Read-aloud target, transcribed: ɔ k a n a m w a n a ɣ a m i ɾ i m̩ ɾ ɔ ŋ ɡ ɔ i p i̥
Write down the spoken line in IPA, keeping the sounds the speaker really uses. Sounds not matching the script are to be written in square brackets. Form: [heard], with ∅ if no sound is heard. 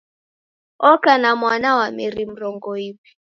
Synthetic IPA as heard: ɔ k a n a m w a n a [w] a m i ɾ i m̩ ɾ ɔ ŋ ɡ ɔ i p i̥